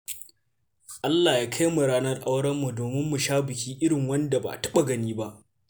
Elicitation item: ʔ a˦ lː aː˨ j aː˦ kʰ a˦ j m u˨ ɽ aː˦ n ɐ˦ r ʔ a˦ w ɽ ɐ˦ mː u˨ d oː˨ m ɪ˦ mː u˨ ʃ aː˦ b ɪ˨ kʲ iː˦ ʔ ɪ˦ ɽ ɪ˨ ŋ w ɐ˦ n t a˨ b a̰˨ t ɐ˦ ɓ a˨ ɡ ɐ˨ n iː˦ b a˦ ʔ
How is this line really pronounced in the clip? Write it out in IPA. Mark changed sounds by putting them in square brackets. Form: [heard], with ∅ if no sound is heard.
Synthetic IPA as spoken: ʔ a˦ lː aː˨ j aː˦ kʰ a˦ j m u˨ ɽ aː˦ n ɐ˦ r ʔ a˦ w ɽ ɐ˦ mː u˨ d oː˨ m ɪ˦ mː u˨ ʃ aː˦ b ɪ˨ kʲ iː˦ ʔ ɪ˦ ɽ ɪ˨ ŋ w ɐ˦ n [d] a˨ b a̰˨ t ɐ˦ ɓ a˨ ɡ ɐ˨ n iː˦ b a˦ ʔ